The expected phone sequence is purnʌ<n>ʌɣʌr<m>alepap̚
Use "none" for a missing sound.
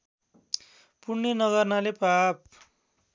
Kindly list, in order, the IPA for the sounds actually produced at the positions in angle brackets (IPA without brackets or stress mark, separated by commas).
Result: n, n